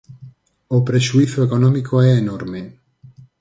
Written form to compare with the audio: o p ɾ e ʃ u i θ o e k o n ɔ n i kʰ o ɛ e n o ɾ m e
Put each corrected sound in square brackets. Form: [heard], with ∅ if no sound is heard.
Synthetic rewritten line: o p ɾ e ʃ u i θ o e k o n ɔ [m] i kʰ o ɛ e n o ɾ m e